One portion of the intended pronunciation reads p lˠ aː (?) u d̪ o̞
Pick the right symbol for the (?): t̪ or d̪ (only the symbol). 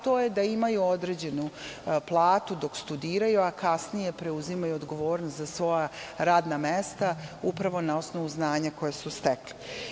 t̪